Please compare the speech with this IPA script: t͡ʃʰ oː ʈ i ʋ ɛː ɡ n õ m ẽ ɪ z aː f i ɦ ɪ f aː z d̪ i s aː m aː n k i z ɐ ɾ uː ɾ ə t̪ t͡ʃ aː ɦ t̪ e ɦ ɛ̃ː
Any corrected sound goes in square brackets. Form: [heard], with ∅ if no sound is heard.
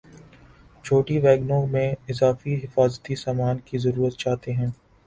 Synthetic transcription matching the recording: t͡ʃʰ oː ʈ i ʋ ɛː ɡ n õ m ẽ ɪ z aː f i ɦ ɪ f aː z [t̪] i s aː m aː n k i z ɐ ɾ uː ɾ ə t̪ t͡ʃ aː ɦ t̪ e ɦ ɛ̃ː